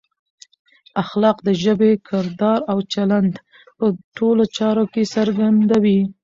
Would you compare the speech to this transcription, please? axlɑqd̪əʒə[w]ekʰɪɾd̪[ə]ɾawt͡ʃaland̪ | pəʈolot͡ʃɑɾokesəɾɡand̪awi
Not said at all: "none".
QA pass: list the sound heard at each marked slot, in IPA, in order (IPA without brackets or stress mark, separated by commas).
b, ɑ